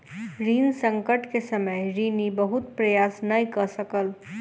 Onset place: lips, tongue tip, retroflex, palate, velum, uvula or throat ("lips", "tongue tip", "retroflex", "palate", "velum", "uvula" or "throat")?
tongue tip